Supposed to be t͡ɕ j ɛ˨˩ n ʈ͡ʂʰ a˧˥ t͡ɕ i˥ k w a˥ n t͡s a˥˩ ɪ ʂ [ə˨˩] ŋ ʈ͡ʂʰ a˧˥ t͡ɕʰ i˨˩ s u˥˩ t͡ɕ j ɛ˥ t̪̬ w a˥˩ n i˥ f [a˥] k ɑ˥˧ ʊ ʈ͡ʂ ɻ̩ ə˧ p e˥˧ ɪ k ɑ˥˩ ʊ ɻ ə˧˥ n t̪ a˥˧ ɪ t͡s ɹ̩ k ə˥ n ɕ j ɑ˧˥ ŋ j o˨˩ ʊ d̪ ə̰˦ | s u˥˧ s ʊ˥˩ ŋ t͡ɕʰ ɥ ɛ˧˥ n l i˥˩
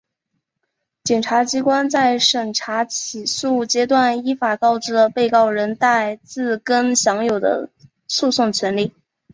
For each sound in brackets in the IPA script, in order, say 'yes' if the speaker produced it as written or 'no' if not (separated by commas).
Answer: yes, no